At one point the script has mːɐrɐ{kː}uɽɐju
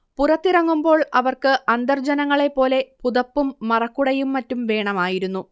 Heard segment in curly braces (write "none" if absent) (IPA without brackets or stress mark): kː